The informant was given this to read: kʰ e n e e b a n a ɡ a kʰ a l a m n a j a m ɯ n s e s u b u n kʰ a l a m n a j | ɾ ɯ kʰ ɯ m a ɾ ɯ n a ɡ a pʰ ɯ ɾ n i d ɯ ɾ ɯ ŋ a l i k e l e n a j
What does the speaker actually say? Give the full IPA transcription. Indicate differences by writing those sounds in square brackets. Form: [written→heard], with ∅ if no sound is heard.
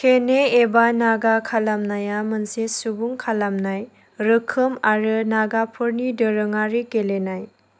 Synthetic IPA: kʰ e n e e b a n a ɡ a kʰ a l a m n a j a m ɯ n s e s u b u [n→ŋ] kʰ a l a m n a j | ɾ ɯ kʰ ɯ m a ɾ ɯ n a ɡ a pʰ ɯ ɾ n i d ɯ ɾ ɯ ŋ a [l→ɾ] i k e l e n a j